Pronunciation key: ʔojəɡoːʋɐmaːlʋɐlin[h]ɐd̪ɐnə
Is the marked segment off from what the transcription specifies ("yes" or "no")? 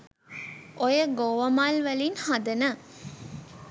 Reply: no